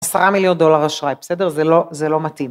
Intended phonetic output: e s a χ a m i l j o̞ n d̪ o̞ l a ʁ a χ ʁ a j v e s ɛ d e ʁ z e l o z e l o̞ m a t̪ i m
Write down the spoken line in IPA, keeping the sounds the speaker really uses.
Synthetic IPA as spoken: a s a ʁ a m i l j o̞ n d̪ o̞ l a ʁ a ʃ ʁ a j b e s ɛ d e ʁ z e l o z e l o̞ m a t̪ i m